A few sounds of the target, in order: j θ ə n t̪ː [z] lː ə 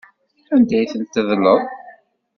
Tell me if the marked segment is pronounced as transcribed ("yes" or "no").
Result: no